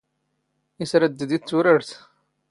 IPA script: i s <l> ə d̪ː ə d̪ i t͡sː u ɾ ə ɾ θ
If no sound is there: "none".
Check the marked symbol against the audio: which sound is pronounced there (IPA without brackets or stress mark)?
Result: ɾ